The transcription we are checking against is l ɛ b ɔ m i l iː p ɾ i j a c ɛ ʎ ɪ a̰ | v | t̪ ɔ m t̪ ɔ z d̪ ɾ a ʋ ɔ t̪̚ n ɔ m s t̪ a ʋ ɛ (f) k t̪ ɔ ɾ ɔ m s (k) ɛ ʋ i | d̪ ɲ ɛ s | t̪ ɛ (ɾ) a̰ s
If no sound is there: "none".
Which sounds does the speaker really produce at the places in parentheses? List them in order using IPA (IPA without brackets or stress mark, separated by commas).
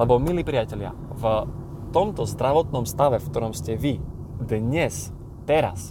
f, c, ɾ